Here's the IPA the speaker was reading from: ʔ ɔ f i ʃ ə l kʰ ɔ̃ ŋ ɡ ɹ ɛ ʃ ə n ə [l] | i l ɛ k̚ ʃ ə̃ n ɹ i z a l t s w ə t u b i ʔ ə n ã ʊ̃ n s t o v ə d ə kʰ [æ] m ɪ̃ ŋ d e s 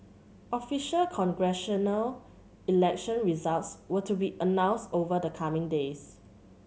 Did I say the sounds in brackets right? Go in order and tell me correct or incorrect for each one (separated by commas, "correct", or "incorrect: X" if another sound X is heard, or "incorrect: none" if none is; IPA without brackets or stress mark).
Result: correct, incorrect: a